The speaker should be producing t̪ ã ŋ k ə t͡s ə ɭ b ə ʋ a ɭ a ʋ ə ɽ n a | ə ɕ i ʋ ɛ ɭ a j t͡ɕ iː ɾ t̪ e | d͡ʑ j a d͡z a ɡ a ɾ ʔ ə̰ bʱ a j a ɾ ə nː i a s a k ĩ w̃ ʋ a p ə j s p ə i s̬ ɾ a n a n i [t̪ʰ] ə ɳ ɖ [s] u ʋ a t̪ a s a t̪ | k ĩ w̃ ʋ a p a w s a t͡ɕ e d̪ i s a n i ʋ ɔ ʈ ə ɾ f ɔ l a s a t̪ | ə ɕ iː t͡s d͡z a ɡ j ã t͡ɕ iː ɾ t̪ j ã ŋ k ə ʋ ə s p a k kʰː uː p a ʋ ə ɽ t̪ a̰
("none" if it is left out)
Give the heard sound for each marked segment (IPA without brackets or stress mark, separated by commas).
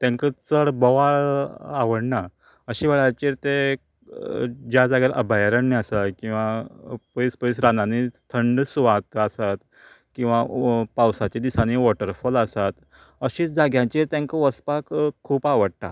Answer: t̪ʰ, s